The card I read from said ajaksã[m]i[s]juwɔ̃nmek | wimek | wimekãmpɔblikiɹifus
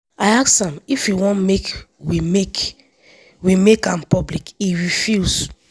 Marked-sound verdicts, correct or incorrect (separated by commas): correct, incorrect